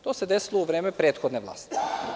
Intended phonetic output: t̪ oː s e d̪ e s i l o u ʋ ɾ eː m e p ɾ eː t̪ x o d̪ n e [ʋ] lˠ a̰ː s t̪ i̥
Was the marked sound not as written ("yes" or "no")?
no